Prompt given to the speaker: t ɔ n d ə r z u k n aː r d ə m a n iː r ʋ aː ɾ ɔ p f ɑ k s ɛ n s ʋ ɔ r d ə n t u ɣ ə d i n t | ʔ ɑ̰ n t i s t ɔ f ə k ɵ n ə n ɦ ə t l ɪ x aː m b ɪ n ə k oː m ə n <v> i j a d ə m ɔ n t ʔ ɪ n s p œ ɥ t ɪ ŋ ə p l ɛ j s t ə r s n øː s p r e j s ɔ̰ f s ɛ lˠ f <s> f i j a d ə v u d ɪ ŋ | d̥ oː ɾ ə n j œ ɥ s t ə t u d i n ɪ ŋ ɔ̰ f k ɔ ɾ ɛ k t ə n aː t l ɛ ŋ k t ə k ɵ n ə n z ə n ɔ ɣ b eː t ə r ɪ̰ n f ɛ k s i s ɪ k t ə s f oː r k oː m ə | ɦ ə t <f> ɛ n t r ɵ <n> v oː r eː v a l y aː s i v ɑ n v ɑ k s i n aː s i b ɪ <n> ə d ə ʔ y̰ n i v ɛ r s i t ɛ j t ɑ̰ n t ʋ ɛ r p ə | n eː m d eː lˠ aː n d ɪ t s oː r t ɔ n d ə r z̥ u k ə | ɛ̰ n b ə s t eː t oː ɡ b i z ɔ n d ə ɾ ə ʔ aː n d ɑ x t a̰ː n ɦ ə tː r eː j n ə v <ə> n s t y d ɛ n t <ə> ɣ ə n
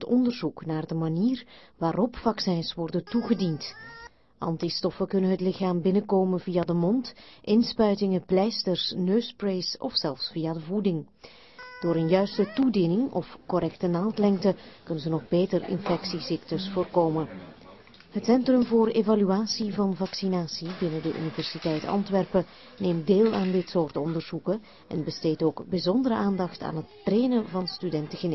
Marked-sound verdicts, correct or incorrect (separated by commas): correct, correct, incorrect, incorrect, correct, incorrect, correct